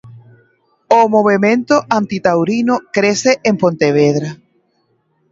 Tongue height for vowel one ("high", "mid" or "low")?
mid